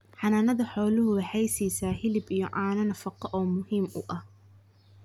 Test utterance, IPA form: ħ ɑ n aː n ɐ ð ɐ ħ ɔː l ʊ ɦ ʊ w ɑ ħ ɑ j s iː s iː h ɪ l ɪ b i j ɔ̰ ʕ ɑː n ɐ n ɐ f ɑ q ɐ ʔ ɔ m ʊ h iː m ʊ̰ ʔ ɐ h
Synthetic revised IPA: ħ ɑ n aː n ɐ ð ɐ ħ ɔː l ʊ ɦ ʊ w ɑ ħ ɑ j s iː s aː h ɪ l ɪ b i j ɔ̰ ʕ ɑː n ɐ n ɐ f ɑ q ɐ ʔ ɔː m ʊ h iː m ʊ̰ ʔ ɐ h